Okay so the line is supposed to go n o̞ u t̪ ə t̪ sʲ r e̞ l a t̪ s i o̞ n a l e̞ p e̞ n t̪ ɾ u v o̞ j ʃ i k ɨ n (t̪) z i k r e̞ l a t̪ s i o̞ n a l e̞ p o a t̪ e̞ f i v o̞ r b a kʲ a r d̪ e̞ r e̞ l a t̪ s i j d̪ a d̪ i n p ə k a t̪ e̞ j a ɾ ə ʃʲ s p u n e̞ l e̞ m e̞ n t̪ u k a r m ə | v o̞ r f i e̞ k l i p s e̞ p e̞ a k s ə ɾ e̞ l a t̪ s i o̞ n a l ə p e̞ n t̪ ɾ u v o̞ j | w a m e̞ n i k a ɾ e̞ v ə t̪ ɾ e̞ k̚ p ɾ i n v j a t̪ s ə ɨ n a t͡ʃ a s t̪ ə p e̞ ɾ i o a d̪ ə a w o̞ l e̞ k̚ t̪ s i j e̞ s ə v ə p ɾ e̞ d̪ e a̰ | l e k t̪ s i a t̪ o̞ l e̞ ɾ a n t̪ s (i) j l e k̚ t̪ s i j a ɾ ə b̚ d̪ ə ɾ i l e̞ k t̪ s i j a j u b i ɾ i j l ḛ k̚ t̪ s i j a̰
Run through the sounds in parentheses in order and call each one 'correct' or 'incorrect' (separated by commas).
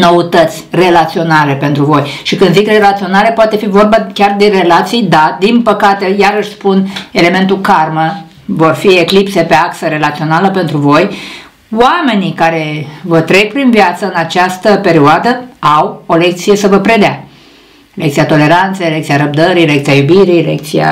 incorrect, incorrect